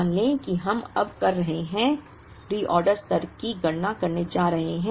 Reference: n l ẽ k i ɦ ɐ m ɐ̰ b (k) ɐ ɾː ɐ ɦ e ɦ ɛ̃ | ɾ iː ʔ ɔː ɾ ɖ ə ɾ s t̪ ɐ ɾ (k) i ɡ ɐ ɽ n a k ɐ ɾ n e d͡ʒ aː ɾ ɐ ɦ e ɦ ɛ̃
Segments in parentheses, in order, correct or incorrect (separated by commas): correct, correct